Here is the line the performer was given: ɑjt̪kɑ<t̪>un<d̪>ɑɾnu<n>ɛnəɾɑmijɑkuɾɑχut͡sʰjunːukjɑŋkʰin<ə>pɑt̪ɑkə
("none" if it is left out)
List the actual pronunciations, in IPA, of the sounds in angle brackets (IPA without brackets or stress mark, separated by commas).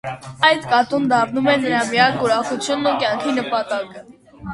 t̪, d̪, m, ə